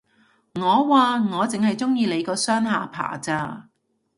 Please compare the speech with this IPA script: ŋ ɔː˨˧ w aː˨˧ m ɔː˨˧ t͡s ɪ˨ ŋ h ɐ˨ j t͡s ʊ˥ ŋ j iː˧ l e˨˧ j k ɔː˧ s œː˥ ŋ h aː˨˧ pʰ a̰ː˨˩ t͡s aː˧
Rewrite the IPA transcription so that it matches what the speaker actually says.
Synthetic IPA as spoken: ŋ ɔː˨˧ w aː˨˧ ŋ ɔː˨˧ t͡s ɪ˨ ŋ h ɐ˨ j t͡s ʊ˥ ŋ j iː˧ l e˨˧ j k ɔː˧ s œː˥ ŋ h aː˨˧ pʰ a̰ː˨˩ t͡s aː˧